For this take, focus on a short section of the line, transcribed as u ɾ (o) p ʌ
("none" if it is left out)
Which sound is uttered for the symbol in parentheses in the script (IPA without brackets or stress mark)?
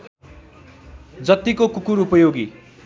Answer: u